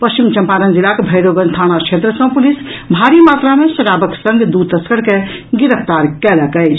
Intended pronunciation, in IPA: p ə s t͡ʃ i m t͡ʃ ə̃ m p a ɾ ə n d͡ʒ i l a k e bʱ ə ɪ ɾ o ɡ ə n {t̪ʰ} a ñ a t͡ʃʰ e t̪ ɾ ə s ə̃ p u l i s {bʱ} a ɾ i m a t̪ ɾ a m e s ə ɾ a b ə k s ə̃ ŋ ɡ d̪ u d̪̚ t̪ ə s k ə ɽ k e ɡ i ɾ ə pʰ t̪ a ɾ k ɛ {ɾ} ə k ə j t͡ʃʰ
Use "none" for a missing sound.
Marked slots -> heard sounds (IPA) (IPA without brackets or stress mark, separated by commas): t̪ʰ, bʱ, l